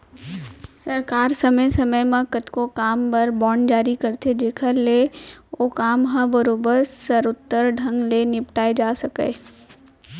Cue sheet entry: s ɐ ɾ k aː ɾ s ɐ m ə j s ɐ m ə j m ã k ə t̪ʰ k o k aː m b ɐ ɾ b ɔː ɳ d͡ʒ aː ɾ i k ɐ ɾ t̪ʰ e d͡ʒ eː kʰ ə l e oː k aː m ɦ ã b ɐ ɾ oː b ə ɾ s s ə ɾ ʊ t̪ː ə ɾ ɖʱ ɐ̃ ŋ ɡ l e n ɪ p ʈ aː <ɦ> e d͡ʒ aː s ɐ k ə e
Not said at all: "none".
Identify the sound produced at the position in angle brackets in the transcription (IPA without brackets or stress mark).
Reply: none